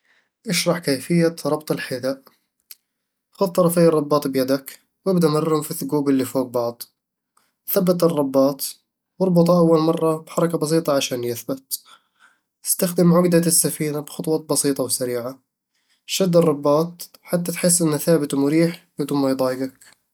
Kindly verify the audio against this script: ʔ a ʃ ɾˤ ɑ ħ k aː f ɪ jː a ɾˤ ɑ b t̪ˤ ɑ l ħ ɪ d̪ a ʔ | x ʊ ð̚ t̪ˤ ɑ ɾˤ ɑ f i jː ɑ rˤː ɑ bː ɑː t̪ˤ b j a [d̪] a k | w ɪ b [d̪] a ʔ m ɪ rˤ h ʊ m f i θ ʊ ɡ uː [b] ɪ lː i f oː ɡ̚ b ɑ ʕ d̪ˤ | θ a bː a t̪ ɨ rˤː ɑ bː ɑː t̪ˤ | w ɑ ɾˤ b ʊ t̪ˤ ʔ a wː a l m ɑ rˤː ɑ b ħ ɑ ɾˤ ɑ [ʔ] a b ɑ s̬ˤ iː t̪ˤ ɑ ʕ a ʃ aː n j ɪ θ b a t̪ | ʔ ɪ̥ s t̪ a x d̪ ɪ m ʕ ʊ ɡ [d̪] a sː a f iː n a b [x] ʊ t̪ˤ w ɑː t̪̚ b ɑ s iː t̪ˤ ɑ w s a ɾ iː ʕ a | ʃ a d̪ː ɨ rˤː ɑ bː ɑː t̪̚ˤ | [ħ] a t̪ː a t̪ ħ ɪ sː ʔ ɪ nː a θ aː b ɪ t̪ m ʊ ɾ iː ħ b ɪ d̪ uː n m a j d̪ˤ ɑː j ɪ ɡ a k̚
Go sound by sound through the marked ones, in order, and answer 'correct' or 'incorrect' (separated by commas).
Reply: correct, correct, correct, incorrect, correct, correct, correct